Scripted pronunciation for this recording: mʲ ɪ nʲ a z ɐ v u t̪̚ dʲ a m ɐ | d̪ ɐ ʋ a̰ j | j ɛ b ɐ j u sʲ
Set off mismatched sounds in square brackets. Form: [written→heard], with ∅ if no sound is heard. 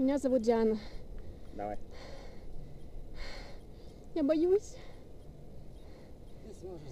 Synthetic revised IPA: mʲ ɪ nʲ a z ɐ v u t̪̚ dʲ a [m→n] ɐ | d̪ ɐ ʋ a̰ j | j [ɛ→a] b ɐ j u sʲ